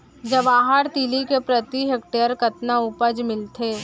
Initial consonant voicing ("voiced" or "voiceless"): voiced